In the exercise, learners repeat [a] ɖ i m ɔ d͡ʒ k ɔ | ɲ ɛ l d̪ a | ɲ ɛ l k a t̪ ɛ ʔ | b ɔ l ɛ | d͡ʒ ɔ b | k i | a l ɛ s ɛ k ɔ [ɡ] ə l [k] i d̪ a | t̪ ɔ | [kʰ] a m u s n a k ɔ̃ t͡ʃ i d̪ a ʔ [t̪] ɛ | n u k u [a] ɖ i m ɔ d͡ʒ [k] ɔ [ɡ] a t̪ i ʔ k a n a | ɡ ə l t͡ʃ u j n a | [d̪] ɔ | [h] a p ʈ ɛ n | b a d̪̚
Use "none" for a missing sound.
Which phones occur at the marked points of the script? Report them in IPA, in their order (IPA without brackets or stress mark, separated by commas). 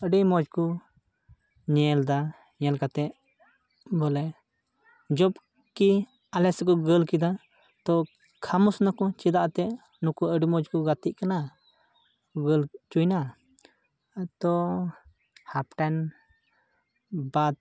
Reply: ə, ɡ, k, kʰ, t̪, ə, k, ɡ, t̪, h